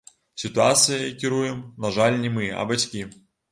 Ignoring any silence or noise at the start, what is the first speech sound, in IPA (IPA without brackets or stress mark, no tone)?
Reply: sʲ